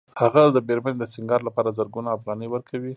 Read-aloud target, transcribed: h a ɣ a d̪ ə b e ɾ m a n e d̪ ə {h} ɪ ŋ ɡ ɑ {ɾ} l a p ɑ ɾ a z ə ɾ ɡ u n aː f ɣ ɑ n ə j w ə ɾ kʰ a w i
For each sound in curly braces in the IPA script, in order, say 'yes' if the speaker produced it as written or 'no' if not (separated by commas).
no, yes